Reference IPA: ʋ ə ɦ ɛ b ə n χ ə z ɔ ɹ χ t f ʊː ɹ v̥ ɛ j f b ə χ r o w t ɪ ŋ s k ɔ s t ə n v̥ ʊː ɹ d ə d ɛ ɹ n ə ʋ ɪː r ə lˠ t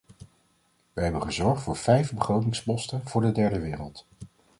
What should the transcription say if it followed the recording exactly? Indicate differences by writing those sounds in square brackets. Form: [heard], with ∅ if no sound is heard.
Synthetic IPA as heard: ʋ ə ɦ ɛ b ə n χ ə z ɔ ɹ χ t f ʊː ɹ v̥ ɛ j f b ə χ r o w t ɪ ŋ s [p] ɔ s t ə n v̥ ʊː ɹ d ə d ɛ ɹ [d] ə ʋ ɪː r ə lˠ t